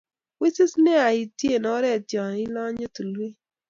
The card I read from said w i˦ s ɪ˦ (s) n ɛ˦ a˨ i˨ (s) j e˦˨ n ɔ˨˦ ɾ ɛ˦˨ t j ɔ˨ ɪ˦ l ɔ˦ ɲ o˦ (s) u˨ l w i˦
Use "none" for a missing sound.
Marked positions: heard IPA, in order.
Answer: s, t, t

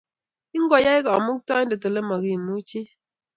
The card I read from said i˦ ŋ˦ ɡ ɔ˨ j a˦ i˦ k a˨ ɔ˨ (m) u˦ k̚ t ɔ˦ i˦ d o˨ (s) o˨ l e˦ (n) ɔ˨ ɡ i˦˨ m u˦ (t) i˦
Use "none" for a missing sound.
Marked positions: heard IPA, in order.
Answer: m, t, m, t͡ʃ

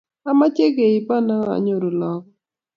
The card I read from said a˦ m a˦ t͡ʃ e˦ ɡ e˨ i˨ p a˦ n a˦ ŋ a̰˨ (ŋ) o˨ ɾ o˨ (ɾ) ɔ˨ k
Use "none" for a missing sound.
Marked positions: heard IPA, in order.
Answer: ɲ, l

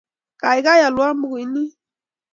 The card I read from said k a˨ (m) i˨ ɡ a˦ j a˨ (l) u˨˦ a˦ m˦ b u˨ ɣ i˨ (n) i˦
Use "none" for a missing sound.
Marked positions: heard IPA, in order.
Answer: none, l, n

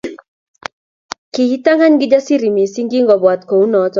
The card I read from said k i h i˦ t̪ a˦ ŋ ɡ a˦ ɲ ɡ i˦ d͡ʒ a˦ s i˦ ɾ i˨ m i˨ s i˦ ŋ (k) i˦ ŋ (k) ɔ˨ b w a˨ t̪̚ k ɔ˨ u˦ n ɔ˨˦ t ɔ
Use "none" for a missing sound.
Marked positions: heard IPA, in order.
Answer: ɡ, ɡ

